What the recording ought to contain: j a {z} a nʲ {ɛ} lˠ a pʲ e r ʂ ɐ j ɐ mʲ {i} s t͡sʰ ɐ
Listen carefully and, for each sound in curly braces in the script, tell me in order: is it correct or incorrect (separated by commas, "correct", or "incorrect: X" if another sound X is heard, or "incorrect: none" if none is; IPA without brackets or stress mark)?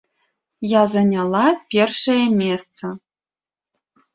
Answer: correct, incorrect: a, incorrect: e